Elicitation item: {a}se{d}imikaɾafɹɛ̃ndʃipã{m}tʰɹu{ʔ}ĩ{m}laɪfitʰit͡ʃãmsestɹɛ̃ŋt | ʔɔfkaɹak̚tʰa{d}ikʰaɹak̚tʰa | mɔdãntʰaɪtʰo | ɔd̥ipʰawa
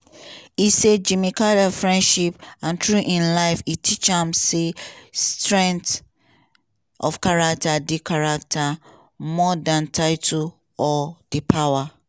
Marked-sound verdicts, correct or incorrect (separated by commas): incorrect, incorrect, incorrect, correct, incorrect, correct